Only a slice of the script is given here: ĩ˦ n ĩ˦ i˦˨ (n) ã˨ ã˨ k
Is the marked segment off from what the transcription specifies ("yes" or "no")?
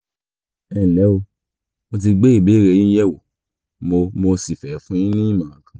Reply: yes